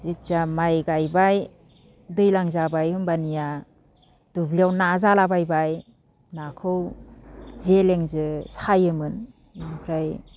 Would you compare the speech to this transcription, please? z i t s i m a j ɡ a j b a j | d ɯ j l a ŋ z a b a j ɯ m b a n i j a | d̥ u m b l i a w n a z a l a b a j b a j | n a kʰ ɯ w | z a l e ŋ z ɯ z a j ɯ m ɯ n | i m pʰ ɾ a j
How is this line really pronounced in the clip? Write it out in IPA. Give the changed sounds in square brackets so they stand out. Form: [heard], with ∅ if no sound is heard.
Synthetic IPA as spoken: z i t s [a] m a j ɡ a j b a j | d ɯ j l a ŋ z a b a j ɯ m b a n i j a | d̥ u [∅] b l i a w n a z a l a b a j b a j | n a kʰ ɯ w | z [e] l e ŋ z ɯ [s] a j ɯ m ɯ n | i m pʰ ɾ a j